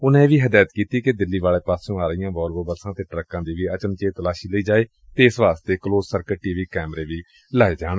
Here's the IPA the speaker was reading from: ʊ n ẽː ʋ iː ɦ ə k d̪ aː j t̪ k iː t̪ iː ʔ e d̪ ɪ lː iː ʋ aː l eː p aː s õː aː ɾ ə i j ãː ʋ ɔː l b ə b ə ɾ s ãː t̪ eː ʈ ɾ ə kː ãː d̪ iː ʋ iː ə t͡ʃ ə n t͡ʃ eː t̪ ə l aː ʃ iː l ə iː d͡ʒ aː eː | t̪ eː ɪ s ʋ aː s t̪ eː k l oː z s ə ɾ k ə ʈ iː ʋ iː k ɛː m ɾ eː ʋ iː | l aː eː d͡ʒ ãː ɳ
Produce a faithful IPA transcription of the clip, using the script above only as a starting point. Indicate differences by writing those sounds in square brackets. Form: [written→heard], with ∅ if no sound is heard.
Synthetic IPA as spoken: ʊ n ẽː ʋ iː ɦ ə [k→∅] d̪ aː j t̪ k iː t̪ iː [ʔ→k] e d̪ ɪ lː iː ʋ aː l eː p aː s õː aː ɾ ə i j ãː ʋ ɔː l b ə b ə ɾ s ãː t̪ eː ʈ ɾ ə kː ãː d̪ iː ʋ iː ə t͡ʃ ə n t͡ʃ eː t̪ ə l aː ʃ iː l ə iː d͡ʒ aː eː | t̪ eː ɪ s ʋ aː s t̪ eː k l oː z s ə ɾ k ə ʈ iː ʋ iː k ɛː m ɾ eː ʋ iː | l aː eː d͡ʒ [ãː→aː] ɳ

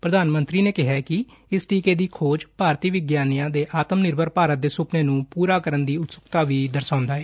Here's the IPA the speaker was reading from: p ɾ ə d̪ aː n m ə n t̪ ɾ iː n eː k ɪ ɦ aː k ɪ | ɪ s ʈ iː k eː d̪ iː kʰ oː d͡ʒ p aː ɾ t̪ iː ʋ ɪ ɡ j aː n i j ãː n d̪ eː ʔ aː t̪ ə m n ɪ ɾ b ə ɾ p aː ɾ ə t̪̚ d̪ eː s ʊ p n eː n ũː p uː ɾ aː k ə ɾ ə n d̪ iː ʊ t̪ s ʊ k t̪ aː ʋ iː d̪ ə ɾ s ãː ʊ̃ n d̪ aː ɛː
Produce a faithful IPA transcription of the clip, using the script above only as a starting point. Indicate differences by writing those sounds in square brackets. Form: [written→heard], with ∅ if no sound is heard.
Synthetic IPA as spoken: p ɾ ə d̪ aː n m ə n t̪ ɾ iː n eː k ɪ ɦ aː k ɪ | ɪ s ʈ iː k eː d̪ iː kʰ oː d͡ʒ p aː ɾ t̪ iː ʋ ɪ ɡ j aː n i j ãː [n→∅] d̪ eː ʔ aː t̪ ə m n ɪ ɾ b ə ɾ p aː ɾ ə t̪̚ d̪ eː s ʊ p n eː n ũː p uː ɾ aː k ə ɾ ə n d̪ iː ʊ t̪ s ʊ k t̪ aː ʋ iː d̪ ə ɾ s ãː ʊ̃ n d̪ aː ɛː

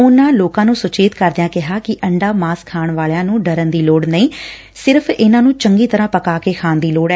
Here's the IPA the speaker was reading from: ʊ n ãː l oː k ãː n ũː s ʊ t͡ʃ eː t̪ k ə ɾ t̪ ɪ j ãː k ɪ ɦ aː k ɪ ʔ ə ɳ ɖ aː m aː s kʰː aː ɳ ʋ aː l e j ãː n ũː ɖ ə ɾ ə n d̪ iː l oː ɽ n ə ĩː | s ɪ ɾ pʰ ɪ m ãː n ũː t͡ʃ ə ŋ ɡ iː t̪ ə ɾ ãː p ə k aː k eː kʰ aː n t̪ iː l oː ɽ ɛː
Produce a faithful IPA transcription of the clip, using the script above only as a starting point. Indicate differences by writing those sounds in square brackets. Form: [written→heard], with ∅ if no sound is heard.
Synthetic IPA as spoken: ʊ n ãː l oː k ãː n ũː s ʊ t͡ʃ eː t̪ k ə ɾ [t̪→d̪] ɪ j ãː k ɪ ɦ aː k ɪ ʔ ə ɳ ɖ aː m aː s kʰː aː ɳ ʋ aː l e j ãː n ũː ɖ ə ɾ ə n d̪ iː l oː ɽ n ə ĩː | s ɪ ɾ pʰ ɪ [m→n] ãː n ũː t͡ʃ ə ŋ ɡ iː t̪ ə ɾ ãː p ə k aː k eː kʰ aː n [t̪→d̪] iː l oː ɽ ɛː

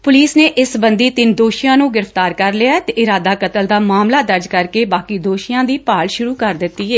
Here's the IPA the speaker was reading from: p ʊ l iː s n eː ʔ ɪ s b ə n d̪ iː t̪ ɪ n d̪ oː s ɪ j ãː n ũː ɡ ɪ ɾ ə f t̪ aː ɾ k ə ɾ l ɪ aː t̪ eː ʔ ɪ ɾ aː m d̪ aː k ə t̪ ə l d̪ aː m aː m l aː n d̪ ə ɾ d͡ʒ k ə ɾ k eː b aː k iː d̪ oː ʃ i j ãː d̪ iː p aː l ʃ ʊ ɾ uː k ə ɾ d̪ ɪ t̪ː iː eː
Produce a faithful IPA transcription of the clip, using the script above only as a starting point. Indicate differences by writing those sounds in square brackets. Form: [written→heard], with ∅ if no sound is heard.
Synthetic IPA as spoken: p ʊ l iː s n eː ʔ ɪ s b ə n d̪ iː t̪ ɪ n d̪ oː [s→ʃ] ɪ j ãː n ũː ɡ ɪ ɾ ə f t̪ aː ɾ k ə ɾ l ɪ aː t̪ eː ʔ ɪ ɾ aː [m→∅] d̪ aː k ə t̪ ə l d̪ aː m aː m l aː [n→∅] d̪ ə ɾ d͡ʒ k ə ɾ k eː b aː k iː d̪ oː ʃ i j ãː d̪ iː p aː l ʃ ʊ ɾ uː k ə ɾ d̪ ɪ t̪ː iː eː

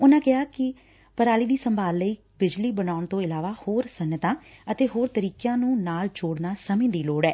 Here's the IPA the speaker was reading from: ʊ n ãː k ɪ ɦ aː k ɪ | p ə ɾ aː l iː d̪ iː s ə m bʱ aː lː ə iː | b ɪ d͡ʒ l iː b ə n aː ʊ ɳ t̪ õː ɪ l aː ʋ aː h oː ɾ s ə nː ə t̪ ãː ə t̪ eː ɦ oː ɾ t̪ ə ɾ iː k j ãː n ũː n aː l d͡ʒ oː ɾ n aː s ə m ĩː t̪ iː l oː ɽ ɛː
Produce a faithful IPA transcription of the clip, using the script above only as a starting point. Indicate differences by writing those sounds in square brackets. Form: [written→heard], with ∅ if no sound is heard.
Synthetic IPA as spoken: ʊ n ãː k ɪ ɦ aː k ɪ | p ə ɾ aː l iː d̪ iː s ə m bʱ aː lː ə iː | b ɪ d͡ʒ l iː b ə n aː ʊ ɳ t̪ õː ɪ l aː ʋ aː h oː ɾ s ə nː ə t̪ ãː ə t̪ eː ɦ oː ɾ t̪ ə ɾ iː k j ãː n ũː n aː l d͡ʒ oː [ɾ→ɽ] n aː s ə m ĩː [t̪→d̪] iː l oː ɽ ɛː

